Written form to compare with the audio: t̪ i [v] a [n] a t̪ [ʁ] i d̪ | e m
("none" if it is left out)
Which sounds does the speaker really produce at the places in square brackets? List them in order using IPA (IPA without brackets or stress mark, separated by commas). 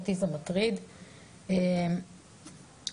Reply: z, m, ʁ